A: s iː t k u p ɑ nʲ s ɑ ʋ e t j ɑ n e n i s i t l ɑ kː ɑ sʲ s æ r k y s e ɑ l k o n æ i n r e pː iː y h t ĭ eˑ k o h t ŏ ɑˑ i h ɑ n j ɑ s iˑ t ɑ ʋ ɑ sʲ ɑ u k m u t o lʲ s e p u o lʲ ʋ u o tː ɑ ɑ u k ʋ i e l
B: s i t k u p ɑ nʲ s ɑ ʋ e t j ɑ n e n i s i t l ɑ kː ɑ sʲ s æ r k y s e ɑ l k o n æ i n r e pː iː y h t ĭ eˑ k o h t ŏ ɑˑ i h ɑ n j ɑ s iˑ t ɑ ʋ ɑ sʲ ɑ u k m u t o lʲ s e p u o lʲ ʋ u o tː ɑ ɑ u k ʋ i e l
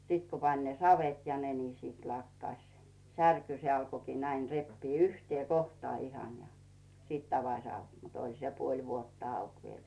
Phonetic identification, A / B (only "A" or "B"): B